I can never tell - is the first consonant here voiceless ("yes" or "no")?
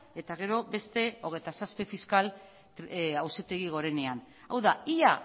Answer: yes